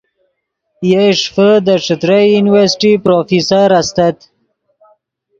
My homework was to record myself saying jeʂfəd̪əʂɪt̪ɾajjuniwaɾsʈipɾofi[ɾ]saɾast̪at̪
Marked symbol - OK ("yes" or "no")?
no